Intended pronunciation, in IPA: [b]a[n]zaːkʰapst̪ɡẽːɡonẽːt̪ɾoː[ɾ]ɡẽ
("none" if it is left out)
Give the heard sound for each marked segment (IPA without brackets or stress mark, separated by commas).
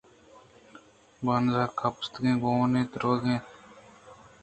b, n, none